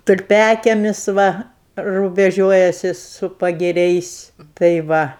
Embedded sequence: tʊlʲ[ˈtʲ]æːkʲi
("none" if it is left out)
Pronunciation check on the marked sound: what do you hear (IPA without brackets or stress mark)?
pʲ